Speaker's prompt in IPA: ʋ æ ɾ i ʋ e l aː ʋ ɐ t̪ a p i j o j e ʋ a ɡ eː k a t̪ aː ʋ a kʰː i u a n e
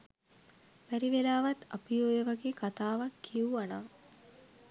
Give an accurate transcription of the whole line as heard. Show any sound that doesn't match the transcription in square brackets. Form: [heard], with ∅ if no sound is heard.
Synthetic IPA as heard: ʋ æ ɾ i ʋ e l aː ʋ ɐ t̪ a p i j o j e ʋ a ɡ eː k a t̪ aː ʋ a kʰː i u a n [a]